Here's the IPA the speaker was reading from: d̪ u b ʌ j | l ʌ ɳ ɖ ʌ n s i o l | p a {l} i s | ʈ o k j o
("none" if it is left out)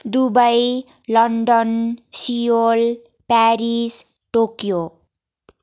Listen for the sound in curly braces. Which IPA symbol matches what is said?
ɾ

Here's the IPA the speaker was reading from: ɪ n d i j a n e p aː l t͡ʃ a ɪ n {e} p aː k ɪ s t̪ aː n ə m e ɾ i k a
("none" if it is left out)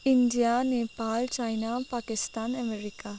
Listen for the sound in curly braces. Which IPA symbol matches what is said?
a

